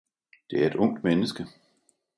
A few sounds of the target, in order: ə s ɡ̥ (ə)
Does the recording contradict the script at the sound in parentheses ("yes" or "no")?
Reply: no